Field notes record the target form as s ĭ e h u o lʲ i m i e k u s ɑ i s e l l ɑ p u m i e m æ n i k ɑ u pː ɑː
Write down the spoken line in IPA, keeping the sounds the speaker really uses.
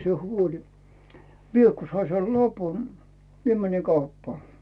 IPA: s ĭ e h u o lʲ i m i e k u s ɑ i s e l l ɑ p u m i e m æ n i k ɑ u pː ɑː

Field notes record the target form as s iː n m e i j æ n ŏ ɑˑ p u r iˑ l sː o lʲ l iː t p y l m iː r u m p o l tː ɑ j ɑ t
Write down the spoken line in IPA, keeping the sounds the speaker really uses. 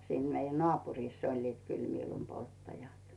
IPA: s iː n m e i j æ n ŏ ɑˑ p u r iˑ sː o lʲ l iː t k y l m iː l u m p o l tː ɑ j ɑ t

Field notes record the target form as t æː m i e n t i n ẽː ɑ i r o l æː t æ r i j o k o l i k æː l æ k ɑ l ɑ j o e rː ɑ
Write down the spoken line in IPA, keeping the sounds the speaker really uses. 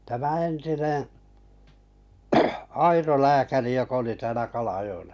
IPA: t æ m æ e n t i n ẽː ɑ i r o l æː k æ r i j o k o l i t æː l æ k ɑ l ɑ j o e lː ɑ

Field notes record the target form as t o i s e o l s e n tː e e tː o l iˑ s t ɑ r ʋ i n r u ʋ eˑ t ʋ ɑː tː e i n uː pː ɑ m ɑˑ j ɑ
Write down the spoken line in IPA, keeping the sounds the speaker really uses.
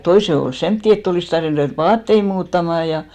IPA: t o i s e o l s e m tː i e tː o l iˑ s t ɑ r ʋ i n r u ʋ eˑ t ʋ ɑː tː e i m uː tː ɑ m ɑˑ j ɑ

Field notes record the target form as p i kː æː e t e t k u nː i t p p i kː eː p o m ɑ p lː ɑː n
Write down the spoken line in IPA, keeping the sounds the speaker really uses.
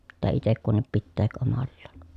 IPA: p i tː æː i t e k k u nː i p p i tː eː k o m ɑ lː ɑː n

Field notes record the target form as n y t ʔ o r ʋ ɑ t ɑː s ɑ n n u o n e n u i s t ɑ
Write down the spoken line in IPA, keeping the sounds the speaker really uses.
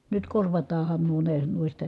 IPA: n y t k o r ʋ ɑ t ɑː h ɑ n n u o n e n u i s t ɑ

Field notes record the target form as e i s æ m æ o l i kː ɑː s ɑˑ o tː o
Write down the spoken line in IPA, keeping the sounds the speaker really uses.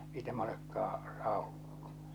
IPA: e i t æ m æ o l e kː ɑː s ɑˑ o kː o

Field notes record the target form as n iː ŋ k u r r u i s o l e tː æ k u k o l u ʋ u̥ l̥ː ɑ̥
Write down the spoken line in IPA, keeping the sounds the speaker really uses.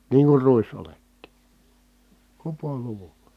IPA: n iː ŋ k u r r u i s o l e tː i k u p o l u ʋ u̥ l̥ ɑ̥

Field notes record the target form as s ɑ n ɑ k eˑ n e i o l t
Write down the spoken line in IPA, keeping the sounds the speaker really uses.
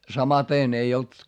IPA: s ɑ m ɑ t eˑ n e i o l t

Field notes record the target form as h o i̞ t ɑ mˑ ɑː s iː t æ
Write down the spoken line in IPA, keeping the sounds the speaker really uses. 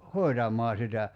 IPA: h o i̞ t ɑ mˑ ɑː s i t æ

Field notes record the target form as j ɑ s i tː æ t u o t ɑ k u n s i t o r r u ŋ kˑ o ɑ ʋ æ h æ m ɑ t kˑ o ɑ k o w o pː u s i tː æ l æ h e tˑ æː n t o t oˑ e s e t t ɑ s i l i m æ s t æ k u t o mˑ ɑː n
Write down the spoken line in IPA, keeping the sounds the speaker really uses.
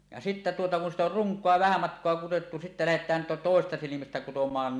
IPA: j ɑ s i tː æ t u o t ɑ k u n s i t o r r u ŋ kˑ o ɑ ʋ æ h æ m ɑ t kˑ o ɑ k u w o tː u s i tː æ l æ h e tˑ æː n t o t oˑ e s e s t ɑ s i l i m æ s t æ k u t o mˑ ɑː n

